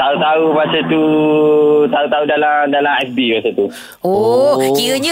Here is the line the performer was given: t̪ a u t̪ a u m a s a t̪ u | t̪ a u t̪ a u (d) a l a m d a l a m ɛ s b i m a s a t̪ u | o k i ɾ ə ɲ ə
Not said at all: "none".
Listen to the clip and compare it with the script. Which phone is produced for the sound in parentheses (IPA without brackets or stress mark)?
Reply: d